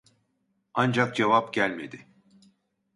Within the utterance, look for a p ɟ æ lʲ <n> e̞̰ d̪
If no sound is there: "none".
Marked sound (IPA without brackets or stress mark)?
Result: m